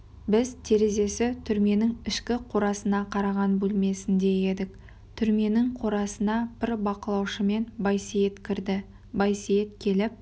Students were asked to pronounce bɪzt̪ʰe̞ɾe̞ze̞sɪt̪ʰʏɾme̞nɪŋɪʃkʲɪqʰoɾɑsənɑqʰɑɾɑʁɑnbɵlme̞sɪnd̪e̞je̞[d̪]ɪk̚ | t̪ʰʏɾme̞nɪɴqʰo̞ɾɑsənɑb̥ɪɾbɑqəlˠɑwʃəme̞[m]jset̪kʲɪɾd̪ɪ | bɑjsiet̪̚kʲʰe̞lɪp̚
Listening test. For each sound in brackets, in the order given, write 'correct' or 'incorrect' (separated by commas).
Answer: correct, incorrect